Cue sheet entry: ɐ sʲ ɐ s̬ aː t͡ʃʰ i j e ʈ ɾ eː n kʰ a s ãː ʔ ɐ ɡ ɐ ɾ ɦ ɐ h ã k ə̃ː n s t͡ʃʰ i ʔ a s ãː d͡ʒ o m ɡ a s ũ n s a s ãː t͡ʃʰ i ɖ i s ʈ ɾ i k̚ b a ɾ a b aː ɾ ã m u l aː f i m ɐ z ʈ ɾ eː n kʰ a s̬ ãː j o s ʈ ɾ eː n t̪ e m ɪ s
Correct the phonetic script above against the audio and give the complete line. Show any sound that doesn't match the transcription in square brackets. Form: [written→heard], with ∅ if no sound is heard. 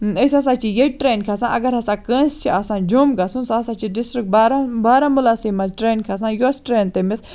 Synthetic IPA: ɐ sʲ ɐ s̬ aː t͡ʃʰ i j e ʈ ɾ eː n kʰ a s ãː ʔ ɐ ɡ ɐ ɾ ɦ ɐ [h→s] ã k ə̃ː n s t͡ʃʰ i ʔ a s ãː d͡ʒ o m ɡ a s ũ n s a s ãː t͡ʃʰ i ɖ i s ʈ ɾ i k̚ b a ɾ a b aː ɾ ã m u l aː [f→s] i m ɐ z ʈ ɾ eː n kʰ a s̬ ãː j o s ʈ ɾ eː n t̪ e m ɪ s